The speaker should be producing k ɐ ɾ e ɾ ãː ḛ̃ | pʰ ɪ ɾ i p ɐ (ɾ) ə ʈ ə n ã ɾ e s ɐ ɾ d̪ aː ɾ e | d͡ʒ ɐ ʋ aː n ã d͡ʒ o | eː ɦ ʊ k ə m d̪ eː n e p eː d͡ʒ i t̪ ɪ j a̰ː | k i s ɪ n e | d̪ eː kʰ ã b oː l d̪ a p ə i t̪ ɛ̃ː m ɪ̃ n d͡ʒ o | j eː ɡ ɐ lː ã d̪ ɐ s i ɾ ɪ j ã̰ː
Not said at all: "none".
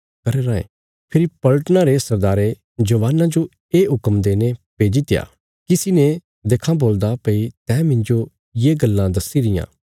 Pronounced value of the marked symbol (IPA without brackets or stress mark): l